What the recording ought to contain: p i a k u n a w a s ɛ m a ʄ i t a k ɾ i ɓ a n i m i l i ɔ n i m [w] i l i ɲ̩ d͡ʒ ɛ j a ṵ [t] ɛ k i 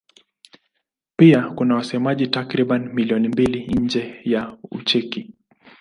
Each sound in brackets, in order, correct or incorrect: incorrect, incorrect

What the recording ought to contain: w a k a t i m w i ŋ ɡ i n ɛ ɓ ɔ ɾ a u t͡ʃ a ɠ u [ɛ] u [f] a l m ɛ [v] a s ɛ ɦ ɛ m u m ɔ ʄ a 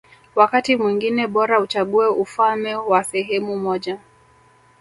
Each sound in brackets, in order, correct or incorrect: correct, correct, incorrect

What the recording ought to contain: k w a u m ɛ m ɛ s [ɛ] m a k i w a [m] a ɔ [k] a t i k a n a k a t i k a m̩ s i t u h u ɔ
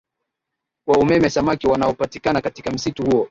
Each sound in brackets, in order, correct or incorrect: incorrect, incorrect, incorrect

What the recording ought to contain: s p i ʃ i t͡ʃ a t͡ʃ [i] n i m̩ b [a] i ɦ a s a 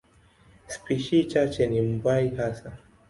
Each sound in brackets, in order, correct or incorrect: incorrect, correct

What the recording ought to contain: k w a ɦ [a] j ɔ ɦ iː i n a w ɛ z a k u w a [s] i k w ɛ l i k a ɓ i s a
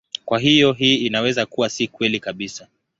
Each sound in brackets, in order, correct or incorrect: incorrect, correct

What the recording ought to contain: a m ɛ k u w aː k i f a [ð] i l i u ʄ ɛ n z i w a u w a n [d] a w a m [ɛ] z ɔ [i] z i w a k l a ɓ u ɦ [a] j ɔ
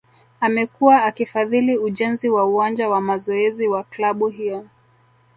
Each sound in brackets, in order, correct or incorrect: correct, incorrect, incorrect, incorrect, incorrect

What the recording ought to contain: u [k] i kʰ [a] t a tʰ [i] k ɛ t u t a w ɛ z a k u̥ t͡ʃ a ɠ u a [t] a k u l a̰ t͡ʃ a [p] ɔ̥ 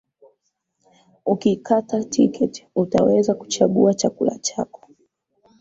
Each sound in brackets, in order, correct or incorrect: correct, correct, correct, incorrect, incorrect

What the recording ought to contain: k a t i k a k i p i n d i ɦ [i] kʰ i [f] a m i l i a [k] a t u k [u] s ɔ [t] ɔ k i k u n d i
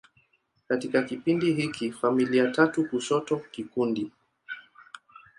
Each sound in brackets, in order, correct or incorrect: correct, correct, incorrect, correct, correct

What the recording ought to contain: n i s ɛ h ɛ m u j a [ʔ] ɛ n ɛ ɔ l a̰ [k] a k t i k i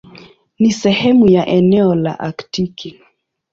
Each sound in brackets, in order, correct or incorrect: correct, incorrect

